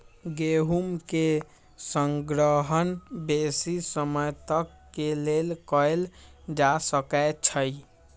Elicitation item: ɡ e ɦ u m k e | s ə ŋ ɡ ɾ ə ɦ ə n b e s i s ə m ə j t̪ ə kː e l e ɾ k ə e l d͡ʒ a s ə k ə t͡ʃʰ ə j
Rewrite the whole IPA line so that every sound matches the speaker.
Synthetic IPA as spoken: ɡ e ɦ u m k e | s ə ŋ ɡ ɾ ə ɦ ə n b e s i s ə m ə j t̪ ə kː e l e l k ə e l d͡ʒ a s ə k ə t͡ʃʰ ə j